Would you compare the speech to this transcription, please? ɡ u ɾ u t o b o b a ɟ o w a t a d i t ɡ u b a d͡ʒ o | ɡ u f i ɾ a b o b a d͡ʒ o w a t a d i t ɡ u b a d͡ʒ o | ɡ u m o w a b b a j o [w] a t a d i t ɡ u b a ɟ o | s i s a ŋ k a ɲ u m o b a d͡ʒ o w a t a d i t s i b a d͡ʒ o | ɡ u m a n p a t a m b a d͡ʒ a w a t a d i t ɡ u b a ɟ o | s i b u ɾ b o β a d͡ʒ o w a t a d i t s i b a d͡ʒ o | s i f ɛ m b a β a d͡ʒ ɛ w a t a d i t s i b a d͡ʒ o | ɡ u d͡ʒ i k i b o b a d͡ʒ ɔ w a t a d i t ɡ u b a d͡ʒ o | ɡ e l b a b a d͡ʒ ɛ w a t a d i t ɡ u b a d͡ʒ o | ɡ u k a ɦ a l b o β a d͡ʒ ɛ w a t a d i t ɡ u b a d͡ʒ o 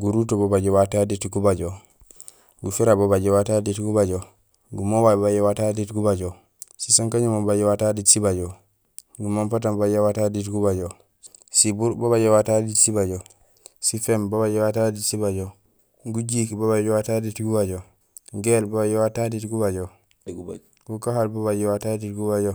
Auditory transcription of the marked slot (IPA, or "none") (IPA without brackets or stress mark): w